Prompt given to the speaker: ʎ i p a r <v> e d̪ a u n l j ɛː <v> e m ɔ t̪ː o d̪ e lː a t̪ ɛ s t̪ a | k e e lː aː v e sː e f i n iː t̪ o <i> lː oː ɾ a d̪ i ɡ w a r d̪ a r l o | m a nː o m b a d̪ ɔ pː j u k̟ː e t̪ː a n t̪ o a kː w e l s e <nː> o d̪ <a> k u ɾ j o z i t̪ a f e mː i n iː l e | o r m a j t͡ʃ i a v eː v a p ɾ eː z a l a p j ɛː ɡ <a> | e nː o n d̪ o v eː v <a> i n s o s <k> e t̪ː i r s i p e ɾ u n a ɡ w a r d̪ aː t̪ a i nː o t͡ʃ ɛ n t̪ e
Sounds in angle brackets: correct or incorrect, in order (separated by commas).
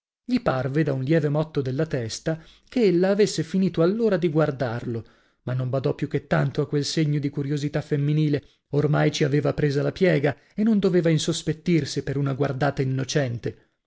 correct, correct, incorrect, incorrect, incorrect, correct, correct, incorrect